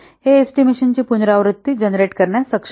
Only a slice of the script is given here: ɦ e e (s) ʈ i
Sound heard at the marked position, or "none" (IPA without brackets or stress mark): s